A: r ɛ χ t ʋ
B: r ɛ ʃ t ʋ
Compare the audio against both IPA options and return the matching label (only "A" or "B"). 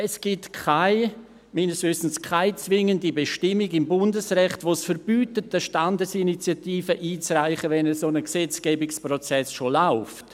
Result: A